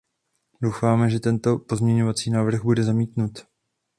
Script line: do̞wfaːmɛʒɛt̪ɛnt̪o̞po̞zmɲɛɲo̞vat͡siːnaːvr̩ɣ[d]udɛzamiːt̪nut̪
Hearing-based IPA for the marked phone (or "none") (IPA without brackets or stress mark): b